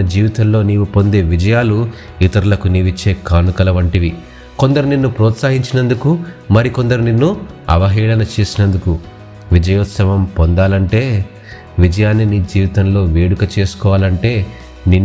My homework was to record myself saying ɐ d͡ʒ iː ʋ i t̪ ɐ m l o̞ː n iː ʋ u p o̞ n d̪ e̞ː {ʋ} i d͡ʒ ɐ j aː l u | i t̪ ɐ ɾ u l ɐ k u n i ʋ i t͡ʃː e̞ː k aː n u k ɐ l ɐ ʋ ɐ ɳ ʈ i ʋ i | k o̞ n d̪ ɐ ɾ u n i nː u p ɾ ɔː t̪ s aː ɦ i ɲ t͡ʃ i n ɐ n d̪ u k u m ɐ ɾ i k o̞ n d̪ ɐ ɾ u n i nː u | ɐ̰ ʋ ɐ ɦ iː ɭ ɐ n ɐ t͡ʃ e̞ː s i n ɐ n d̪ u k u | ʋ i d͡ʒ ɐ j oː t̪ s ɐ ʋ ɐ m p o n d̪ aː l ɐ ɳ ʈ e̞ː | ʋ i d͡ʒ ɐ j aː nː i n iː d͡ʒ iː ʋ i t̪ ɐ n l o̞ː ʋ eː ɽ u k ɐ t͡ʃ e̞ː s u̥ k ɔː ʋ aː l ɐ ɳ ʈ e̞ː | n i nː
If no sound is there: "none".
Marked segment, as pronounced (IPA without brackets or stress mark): ʋ